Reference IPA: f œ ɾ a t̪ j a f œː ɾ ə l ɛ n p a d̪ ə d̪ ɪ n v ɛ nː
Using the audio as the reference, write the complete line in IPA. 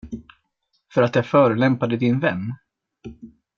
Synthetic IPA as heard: f œ ɾ a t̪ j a f œː ɾ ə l ɛ m p a d̪ ə d̪ ɪ n v ɛ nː